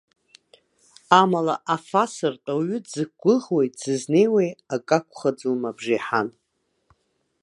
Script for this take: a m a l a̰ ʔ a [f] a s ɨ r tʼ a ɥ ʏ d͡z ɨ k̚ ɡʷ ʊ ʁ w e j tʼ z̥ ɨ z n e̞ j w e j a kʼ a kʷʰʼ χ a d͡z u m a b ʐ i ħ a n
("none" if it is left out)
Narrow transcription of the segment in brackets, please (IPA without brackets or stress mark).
f